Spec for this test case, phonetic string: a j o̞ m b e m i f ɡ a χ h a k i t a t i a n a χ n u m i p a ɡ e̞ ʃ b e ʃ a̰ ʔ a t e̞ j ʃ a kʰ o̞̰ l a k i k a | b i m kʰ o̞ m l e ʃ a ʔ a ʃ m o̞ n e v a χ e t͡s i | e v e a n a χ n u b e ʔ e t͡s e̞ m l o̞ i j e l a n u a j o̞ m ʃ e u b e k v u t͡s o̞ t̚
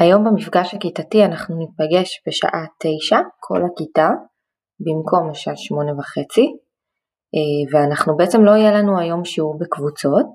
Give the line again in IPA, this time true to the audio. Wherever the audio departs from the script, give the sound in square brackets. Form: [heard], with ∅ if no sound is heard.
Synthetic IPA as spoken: a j o̞ m b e m i f ɡ a [ʃ] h a k i t a t i a n a χ n u [n] i p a ɡ e̞ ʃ b e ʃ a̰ ʔ a t e̞ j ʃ a kʰ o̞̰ l a k i [t] a | b i m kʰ o̞ m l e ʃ a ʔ a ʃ m o̞ n e v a χ e t͡s i | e v e a n a χ n u b e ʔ e t͡s e̞ m l o̞ i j e l a n u a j o̞ m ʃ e u b e k v u t͡s o̞ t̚